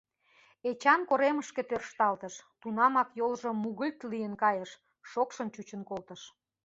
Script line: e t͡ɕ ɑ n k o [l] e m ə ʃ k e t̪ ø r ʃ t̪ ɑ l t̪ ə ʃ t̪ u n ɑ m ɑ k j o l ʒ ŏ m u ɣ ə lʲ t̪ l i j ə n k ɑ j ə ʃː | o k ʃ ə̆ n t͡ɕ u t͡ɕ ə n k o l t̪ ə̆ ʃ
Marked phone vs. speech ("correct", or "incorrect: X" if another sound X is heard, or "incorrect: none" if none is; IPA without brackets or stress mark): incorrect: ɾ